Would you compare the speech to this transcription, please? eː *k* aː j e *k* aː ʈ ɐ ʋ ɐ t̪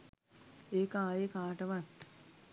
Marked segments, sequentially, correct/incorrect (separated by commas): correct, correct